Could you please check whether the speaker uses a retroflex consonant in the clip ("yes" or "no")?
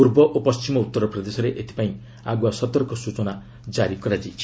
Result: no